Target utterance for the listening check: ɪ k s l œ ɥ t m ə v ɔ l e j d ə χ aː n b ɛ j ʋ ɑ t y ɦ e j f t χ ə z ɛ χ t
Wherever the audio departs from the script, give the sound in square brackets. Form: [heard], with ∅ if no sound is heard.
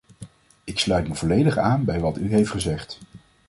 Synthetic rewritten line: ɪ k s l œ ɥ t m ə v ɔ l e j d ə χ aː n b ɛ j ʋ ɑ t y ɦ e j f t χ ə z ɛ χ t